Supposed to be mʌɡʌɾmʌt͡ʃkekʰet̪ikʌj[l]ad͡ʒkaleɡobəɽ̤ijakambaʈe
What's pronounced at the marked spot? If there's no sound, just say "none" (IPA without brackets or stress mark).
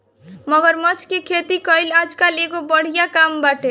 l